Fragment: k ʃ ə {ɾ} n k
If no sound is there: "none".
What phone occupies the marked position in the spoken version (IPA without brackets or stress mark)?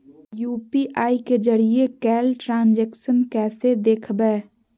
none